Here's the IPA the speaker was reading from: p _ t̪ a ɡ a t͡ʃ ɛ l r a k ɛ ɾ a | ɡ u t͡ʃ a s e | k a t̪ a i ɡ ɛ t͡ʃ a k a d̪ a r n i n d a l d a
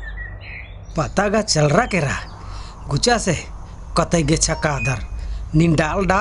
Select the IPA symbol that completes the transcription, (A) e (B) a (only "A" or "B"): B